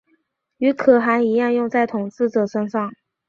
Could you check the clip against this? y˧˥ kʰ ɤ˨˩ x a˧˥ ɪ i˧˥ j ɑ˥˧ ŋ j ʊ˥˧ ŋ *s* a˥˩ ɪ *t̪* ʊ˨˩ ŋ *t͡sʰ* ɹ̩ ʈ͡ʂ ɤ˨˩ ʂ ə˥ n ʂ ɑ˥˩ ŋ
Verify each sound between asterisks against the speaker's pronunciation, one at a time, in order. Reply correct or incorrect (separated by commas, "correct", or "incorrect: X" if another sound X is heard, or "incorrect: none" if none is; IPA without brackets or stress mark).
incorrect: t͡s, incorrect: t̪ʰ, incorrect: t͡s